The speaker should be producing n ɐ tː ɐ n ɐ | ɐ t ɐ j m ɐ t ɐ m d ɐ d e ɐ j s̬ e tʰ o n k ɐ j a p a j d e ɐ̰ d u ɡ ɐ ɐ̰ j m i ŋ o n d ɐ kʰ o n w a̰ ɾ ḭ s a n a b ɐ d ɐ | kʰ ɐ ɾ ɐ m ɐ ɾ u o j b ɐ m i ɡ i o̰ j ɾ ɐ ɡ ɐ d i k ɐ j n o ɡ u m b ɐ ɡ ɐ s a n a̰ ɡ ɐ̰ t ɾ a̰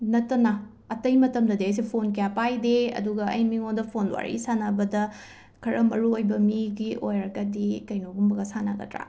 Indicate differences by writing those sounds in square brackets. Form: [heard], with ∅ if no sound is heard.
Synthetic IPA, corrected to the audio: n ɐ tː ɐ n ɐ | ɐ t ɐ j m ɐ t ɐ m d ɐ d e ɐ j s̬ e [pʰ] o n k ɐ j a p a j d e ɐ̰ d u ɡ ɐ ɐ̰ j m i ŋ o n d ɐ [pʰ] o n w a̰ ɾ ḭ s a n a b ɐ d ɐ | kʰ ɐ ɾ ɐ m ɐ ɾ u o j b ɐ m i ɡ i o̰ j ɾ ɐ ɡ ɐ d i k ɐ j n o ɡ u m b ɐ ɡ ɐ s a n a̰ ɡ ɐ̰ t ɾ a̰

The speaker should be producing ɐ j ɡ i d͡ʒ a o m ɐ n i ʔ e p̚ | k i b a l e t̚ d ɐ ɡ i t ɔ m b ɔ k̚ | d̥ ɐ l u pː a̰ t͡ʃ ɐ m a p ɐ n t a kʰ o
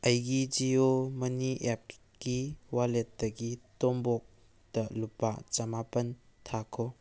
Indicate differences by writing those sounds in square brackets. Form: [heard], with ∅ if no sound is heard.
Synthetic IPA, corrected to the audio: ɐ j ɡ i d͡ʒ [i] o m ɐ n i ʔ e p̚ | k i [w] a l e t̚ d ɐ ɡ i t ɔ m b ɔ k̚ | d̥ ɐ l u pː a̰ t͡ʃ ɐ m a p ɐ n [tʰ] a kʰ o

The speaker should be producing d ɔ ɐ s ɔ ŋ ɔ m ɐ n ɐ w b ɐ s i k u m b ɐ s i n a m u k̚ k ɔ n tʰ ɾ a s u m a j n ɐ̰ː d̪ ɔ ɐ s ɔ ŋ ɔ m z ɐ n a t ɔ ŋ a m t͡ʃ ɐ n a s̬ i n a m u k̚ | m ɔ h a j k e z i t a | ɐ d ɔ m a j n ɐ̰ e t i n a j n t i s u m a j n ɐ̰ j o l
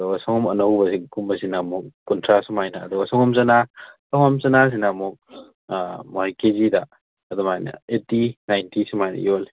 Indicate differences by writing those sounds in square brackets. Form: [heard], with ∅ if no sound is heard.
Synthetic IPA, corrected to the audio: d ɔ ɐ s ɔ ŋ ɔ m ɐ n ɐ w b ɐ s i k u m b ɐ s i n a m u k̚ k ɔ n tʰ ɾ a s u m a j n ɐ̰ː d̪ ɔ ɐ s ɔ ŋ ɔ m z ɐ n a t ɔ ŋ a m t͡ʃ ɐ n a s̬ i n a m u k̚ | m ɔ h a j k e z i [d] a | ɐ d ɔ m a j n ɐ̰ e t i n a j n t i s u m a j n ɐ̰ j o l

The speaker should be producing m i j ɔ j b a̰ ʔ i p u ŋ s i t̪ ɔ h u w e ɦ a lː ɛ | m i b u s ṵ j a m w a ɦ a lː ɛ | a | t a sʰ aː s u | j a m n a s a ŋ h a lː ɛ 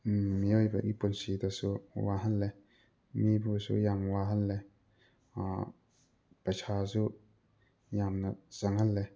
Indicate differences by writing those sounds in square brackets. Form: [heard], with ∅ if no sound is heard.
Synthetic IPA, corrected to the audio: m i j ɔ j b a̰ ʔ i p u [n] s i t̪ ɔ [s] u w [a] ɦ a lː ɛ | m i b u s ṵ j a m w a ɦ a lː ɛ | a | [p] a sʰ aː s u | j a m n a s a ŋ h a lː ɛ

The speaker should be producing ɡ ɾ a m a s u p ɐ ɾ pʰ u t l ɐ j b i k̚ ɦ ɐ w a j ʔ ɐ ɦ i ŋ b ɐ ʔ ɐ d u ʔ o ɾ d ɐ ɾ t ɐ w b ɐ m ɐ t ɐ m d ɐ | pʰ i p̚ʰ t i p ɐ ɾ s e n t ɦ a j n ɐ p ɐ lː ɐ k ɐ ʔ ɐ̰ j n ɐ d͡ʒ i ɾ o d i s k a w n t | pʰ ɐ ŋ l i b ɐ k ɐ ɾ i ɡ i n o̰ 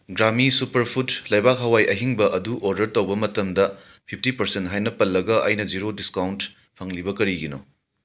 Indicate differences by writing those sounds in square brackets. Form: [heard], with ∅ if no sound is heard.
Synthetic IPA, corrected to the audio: ɡ ɾ a m [i] s u p ɐ ɾ pʰ u t l ɐ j b [a] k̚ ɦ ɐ w a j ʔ ɐ ɦ i ŋ b ɐ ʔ ɐ d u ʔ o ɾ d ɐ ɾ t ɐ w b ɐ m ɐ t ɐ m d ɐ | pʰ i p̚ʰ t i p ɐ ɾ s e n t ɦ a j n ɐ p ɐ lː ɐ [ɡ] ɐ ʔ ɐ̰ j n ɐ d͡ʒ i ɾ o d i s k a w n t | pʰ ɐ ŋ l i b ɐ k ɐ ɾ i ɡ i n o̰

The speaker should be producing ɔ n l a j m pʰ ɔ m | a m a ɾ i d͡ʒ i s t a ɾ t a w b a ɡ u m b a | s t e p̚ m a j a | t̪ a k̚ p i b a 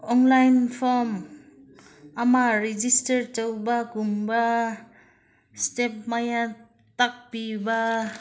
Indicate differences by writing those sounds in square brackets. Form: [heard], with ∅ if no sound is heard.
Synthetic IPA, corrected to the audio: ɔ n l a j [n] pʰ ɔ m | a m a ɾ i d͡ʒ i s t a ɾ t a w b a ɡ u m b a | s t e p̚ m a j a | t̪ a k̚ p i b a

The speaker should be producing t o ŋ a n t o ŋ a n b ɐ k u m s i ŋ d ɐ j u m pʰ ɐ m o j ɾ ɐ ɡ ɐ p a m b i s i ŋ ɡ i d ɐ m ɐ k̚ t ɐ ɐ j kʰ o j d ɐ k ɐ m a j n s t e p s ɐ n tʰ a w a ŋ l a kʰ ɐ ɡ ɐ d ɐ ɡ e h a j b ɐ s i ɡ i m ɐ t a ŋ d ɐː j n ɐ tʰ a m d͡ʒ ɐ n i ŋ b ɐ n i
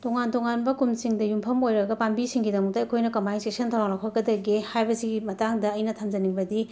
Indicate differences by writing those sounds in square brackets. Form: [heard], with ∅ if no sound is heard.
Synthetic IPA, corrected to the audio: t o ŋ a n t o ŋ a n b ɐ k u m s i ŋ d ɐ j u m pʰ ɐ m o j ɾ ɐ ɡ ɐ p a m b i s i ŋ ɡ i d ɐ m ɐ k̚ t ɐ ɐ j kʰ o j [n] ɐ k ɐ m a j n s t e [∅] s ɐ n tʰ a w a ŋ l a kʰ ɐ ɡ ɐ d ɐ ɡ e h a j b ɐ s i ɡ i m ɐ t a ŋ d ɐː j n ɐ tʰ a m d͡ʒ ɐ n i ŋ b ɐ [d] i

